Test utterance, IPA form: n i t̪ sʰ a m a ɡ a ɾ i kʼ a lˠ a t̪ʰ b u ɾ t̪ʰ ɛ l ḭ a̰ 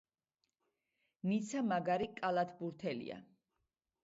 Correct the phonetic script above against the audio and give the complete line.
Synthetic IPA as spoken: n i t̪ sʰ a m a ɡ a ɾ i kʼ a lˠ a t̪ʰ b u ɾ t̪ʰ ɛ l ḭ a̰